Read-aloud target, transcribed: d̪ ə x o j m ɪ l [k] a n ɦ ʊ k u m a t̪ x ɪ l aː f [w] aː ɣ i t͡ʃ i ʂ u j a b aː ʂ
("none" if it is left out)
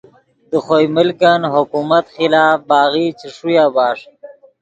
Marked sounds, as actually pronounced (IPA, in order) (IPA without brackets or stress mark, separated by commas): k, b